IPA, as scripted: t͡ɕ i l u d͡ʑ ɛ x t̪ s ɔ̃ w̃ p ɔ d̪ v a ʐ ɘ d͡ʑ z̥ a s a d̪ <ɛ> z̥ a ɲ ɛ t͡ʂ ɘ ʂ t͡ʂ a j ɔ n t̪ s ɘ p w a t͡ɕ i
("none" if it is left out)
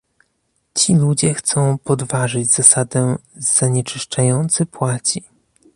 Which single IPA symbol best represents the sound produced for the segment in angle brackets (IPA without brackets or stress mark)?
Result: ɛ